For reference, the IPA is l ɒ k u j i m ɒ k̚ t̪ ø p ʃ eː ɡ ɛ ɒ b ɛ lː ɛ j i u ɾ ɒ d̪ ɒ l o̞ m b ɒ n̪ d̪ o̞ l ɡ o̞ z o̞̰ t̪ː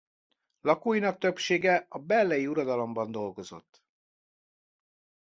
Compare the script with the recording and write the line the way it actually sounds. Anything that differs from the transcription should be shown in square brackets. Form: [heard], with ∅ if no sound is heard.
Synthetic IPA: l ɒ k u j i [n] ɒ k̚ t̪ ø p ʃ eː ɡ ɛ ɒ b ɛ lː ɛ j i u ɾ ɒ d̪ ɒ l o̞ m b ɒ n̪ d̪ o̞ l ɡ o̞ z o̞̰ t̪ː